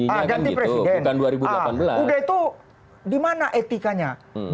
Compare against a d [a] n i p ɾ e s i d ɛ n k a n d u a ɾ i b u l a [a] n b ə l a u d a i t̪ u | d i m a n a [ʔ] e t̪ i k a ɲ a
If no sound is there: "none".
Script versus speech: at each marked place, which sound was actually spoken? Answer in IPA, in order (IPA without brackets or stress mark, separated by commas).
a, a, ʔ